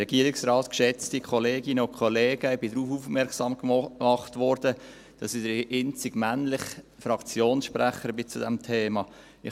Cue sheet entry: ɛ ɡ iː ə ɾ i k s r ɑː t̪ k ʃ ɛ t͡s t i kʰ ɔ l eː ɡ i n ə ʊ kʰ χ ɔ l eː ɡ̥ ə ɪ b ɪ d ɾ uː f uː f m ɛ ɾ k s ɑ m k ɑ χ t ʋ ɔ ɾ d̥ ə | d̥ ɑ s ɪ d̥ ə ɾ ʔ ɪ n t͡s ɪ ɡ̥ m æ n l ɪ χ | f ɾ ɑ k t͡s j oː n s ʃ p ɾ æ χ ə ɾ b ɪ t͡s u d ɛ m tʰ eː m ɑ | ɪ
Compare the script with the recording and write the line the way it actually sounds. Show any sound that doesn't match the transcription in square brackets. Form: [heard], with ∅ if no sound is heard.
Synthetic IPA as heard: ɛ ɡ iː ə ɾ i k s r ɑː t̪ k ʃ ɛ t͡s t i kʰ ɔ l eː ɡ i n ə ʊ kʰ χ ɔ l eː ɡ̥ ə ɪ b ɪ d ɾ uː f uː f m ɛ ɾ k s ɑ m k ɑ χ t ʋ ɔ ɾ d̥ ə | d̥ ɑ s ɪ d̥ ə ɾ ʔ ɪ n t͡s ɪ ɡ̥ m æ n l ɪ χ | f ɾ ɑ k t͡s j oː n s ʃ p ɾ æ χ ə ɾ b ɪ t͡s u d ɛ m tʰ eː m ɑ | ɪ